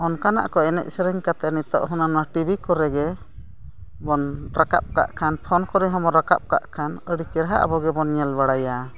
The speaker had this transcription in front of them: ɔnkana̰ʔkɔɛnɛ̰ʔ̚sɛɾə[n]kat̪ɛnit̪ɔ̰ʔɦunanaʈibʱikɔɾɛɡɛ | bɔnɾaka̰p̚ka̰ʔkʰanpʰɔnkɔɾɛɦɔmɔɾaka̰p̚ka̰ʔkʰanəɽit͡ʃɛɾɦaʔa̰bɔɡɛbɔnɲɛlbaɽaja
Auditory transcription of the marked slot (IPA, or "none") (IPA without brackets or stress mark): ɲ